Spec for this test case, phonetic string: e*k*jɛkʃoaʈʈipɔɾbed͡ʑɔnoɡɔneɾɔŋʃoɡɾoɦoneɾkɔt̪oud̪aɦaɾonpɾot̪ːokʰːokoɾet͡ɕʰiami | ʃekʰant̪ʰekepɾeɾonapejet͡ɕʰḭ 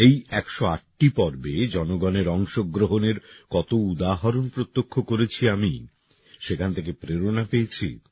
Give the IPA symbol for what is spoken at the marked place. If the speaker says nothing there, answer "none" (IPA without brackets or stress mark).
none